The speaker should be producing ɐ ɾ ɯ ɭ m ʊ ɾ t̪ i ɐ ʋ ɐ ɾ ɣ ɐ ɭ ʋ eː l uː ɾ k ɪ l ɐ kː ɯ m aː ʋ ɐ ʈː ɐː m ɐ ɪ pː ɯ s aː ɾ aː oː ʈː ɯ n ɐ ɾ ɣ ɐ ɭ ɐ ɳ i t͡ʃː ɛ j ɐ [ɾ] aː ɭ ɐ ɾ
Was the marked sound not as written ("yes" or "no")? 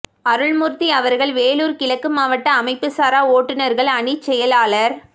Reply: yes